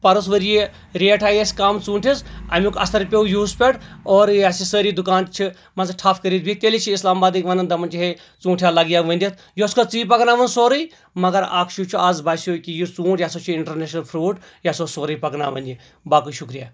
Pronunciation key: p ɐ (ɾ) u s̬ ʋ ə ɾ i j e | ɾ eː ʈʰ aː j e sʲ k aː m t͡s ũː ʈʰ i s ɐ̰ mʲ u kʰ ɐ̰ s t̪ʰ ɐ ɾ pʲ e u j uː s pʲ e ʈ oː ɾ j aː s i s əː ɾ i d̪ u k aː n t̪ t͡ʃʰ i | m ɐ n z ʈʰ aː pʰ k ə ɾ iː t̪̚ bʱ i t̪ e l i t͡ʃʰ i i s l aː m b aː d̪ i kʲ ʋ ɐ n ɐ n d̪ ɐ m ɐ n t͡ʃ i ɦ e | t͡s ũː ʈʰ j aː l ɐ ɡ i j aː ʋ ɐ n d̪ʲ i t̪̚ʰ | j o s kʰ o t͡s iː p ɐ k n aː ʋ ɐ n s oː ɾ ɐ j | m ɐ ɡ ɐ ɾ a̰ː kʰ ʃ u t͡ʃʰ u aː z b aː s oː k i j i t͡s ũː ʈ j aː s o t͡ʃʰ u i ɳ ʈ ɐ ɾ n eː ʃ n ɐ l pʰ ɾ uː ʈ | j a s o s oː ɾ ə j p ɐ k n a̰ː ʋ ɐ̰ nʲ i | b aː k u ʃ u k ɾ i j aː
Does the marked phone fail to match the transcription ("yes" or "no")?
no